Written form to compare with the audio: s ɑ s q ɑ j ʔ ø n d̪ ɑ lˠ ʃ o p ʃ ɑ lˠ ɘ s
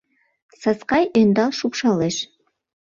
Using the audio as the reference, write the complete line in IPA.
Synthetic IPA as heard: s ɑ s q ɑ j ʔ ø n d̪ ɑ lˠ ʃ u p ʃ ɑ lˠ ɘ ʃ